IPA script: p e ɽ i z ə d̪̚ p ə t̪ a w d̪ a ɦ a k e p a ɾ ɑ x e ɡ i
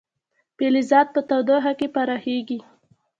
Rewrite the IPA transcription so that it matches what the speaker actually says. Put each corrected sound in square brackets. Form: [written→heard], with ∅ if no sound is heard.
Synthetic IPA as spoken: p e [ɽ→l] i z [ə→ɑ] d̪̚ p ə t̪ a w d̪ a ɦ a k e p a ɾ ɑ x e ɡ i